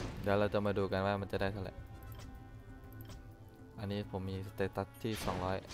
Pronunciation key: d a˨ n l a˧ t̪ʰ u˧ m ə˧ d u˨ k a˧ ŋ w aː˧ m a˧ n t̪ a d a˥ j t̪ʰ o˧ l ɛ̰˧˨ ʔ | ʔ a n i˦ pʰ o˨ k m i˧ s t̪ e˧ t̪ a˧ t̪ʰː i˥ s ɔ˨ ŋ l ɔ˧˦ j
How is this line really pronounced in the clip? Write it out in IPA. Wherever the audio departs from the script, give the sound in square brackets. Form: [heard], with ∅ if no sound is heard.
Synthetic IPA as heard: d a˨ [∅] l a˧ [t̪] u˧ m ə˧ d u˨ k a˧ [n] w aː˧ m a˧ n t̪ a d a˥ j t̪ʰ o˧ l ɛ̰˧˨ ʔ | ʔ a n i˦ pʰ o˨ [∅] m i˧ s t̪ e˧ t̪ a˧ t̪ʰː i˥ s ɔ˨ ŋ l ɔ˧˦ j